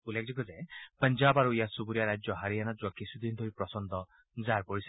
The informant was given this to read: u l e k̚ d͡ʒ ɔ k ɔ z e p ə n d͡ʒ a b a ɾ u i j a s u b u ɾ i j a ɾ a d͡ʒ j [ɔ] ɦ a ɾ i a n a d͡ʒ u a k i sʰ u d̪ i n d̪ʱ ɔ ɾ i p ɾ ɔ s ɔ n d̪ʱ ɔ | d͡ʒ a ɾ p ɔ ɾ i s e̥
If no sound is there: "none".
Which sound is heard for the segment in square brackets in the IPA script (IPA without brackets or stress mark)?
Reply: ɔ